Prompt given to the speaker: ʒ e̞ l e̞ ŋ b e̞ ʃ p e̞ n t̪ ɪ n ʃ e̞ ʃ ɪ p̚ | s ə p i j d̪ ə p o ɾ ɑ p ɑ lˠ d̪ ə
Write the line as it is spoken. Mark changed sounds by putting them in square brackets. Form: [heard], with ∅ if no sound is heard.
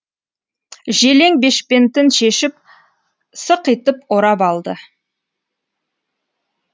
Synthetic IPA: ʒ e̞ l e̞ ŋ b e̞ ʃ p e̞ n t̪ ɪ n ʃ e̞ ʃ ɪ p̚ | s ə [q] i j [t̪] ə p o ɾ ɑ p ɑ lˠ d̪ ə